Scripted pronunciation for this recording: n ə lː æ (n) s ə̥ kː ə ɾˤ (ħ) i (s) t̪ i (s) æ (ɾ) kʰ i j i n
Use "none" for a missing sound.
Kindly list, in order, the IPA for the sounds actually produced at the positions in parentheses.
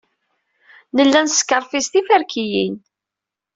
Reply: n, f, s, f, ɾ

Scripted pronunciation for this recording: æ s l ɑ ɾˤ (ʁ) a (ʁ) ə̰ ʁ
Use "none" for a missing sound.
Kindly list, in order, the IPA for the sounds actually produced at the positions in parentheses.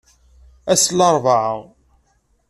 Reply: v, ʕ

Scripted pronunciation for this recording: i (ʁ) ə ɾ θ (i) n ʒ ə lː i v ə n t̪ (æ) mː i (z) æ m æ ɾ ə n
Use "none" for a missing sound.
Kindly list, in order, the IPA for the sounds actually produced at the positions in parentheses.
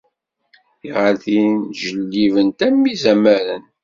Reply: ʁ, i, æ, z

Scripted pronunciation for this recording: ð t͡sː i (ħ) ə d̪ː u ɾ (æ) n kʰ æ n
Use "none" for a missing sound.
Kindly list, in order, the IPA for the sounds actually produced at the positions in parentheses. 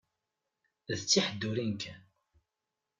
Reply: ħ, i

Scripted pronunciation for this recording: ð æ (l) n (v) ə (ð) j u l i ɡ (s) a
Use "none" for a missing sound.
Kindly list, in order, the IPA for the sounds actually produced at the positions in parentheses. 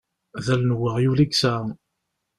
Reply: l, w, ʁ, s

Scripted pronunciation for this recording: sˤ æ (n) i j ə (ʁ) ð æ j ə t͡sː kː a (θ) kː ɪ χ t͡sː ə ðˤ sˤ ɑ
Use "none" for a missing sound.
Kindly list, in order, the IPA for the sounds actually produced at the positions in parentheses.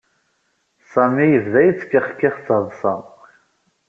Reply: m, v, χ

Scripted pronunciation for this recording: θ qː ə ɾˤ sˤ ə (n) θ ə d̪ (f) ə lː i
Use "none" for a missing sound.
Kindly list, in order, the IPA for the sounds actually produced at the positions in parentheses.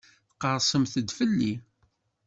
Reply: m, f

